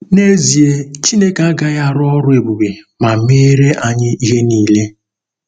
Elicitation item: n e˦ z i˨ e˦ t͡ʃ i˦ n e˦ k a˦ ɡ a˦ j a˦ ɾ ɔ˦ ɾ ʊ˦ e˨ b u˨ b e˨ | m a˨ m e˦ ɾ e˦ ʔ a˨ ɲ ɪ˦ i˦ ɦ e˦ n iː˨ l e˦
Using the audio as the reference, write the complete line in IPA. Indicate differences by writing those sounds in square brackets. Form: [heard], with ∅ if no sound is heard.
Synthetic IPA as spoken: n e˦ z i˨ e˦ t͡ʃ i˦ n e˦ k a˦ ɡ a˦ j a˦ ɾ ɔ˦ ɾ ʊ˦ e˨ b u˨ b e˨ | m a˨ m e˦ ɾ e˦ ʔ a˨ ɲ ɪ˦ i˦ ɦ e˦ n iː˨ l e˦